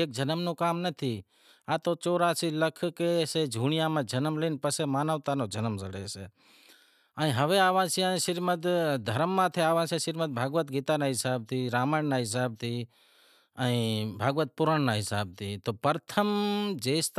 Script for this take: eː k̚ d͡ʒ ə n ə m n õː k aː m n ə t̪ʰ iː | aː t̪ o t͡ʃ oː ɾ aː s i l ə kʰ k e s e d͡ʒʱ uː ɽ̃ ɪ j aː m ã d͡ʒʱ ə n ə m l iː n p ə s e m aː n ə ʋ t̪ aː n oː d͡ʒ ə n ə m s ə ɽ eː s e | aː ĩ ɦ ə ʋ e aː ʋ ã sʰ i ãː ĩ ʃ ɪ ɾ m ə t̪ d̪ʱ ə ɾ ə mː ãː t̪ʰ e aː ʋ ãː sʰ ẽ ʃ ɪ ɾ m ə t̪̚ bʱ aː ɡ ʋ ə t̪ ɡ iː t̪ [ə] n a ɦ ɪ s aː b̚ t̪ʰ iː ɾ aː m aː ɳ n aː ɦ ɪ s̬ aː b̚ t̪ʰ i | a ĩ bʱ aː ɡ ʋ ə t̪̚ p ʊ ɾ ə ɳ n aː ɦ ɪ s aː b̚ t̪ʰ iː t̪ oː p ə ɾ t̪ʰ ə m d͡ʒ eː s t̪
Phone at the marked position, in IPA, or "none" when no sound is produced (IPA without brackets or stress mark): a